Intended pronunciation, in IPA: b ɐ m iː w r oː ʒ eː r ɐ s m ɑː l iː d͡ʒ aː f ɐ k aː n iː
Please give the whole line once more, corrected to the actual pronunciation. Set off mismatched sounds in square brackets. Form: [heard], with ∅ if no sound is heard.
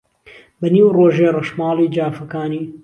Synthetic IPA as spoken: b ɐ [n] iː w r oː ʒ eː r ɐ [ʃ] m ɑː l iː d͡ʒ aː f ɐ k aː n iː